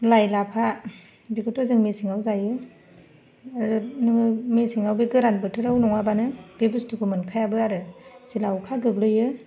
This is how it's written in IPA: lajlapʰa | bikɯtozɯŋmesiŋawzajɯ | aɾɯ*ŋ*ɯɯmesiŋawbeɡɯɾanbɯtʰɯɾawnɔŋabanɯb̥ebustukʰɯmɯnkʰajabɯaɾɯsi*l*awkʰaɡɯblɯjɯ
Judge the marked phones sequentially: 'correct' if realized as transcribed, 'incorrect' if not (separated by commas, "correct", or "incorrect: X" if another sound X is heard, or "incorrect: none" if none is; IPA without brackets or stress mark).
incorrect: n, correct